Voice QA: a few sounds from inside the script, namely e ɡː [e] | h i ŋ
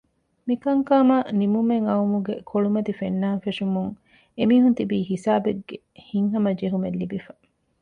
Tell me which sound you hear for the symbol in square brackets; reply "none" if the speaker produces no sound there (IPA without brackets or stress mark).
e